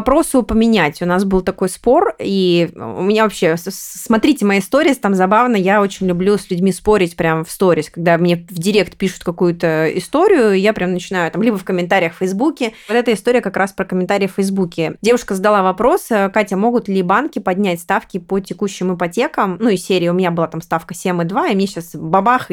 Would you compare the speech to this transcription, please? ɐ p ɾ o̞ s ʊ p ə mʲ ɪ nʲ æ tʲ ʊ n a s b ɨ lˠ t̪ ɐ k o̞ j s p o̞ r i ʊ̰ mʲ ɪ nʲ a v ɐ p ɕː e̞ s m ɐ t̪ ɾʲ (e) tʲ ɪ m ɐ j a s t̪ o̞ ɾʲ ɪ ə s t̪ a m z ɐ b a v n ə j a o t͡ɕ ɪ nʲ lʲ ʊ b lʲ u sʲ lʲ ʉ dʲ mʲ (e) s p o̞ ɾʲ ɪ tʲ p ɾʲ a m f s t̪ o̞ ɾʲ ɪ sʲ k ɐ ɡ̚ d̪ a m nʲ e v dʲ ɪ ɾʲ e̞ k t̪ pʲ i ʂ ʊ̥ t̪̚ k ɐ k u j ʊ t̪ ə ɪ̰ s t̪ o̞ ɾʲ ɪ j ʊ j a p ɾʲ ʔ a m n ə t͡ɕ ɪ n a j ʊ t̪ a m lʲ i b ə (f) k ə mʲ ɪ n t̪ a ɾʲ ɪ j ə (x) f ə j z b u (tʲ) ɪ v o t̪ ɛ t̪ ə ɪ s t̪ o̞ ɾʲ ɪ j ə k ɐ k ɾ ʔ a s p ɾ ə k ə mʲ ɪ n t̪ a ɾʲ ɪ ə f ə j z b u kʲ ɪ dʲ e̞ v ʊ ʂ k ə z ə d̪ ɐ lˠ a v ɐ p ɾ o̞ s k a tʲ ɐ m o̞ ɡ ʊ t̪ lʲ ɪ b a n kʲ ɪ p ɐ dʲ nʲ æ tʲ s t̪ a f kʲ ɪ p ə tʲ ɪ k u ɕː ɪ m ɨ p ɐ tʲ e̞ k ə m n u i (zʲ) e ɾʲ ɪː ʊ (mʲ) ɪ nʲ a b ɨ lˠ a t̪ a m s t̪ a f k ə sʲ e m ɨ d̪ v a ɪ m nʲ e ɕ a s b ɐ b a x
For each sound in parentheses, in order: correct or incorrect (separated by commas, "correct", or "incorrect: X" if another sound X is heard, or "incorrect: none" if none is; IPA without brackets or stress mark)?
incorrect: i, incorrect: i, correct, correct, incorrect: kʲ, incorrect: sʲ, correct